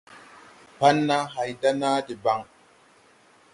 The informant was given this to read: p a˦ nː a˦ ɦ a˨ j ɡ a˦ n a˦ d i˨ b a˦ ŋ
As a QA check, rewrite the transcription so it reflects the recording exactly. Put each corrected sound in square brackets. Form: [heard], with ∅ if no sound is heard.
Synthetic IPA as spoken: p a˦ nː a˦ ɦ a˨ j [d] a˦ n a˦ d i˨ b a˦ ŋ